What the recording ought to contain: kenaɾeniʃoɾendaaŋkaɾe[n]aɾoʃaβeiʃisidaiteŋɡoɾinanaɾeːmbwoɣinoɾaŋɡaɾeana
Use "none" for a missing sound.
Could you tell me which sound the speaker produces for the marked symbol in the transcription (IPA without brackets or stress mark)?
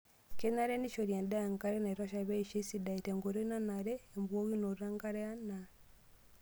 n